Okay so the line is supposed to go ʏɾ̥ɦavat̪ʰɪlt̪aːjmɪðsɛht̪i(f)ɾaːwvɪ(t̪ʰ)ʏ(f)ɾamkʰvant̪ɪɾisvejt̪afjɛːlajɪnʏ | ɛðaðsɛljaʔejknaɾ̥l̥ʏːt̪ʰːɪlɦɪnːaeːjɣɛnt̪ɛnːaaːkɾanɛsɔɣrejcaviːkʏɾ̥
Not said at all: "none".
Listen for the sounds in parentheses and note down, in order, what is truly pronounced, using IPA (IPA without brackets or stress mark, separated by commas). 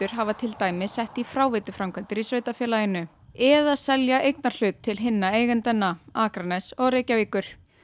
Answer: f, t̪, f